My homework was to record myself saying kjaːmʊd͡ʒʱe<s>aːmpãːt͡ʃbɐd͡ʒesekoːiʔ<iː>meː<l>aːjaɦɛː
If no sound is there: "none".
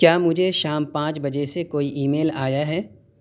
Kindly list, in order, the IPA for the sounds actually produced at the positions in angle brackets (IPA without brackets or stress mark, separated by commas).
ʃ, iː, l